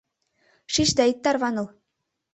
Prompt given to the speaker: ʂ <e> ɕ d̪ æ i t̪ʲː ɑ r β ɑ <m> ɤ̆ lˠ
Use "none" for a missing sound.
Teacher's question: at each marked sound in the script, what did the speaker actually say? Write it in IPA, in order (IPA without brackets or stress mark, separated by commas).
i, n